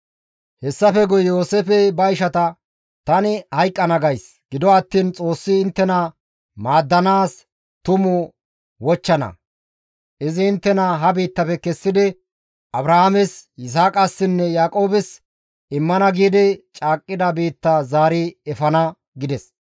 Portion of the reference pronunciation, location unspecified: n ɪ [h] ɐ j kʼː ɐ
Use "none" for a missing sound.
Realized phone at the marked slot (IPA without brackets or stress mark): h